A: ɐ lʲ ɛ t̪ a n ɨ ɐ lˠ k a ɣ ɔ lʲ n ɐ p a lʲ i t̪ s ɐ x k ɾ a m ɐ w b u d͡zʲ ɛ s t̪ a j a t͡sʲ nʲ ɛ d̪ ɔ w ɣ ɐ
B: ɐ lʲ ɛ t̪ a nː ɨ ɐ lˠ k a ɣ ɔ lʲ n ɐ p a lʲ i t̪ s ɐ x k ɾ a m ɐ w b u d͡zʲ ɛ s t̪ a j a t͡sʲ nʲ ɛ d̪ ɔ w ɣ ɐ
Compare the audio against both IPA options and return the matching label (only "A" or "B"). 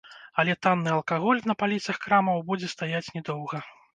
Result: B